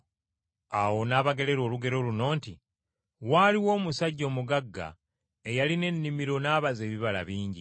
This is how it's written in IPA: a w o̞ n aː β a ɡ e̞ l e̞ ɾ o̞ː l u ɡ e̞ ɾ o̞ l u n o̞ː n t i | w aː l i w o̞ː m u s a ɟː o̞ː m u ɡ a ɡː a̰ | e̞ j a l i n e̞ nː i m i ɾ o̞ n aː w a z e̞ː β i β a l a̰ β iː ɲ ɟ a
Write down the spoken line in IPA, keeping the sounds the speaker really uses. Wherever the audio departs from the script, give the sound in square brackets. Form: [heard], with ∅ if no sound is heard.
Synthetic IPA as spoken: a w o̞ n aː β a ɡ e̞ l e̞ ɾ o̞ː l u ɡ e̞ ɾ o̞ l u n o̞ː n t i | w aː l i w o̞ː m u s a ɟː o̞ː m u ɡ a ɡː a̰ | e̞ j a l i n e̞ nː i m i ɾ o̞ n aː [β] a z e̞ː β i β a l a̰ β iː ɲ ɟ [i]